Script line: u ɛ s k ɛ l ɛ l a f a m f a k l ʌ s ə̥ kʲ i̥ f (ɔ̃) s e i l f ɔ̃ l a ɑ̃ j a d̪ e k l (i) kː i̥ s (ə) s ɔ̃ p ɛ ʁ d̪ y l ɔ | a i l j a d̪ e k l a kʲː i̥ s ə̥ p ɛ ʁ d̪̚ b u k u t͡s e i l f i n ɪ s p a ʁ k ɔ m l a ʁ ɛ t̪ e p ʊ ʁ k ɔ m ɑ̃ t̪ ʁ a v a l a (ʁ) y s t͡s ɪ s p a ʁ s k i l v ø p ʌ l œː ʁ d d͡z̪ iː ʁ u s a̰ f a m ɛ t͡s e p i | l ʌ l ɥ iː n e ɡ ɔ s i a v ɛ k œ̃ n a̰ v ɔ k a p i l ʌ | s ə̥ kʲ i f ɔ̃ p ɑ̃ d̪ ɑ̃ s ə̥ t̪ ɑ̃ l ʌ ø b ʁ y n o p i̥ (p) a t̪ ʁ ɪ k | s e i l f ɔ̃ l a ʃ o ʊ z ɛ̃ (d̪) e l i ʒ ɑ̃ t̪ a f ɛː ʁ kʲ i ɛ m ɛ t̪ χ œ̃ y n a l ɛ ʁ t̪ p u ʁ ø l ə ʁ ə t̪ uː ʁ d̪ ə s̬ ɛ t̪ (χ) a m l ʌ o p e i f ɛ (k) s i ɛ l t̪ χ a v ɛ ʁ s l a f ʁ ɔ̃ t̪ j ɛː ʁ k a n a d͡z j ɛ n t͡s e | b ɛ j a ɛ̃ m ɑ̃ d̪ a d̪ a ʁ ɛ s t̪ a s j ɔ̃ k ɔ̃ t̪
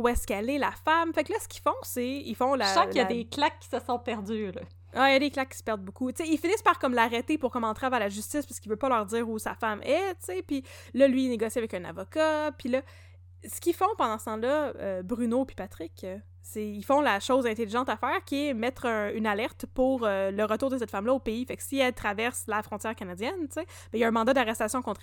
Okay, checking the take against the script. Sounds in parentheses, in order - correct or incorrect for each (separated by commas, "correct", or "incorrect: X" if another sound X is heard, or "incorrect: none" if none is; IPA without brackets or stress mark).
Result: correct, incorrect: a, correct, incorrect: ʒ, correct, incorrect: t̪, incorrect: f, correct